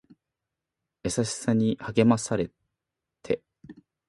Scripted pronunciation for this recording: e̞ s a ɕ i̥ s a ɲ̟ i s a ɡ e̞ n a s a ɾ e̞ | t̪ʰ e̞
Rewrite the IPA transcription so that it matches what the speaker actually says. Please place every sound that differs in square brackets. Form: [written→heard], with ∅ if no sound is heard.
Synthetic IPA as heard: e̞ s a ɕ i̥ s a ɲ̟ i [s→h] a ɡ e̞ [n→m] a s a ɾ e̞ | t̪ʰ e̞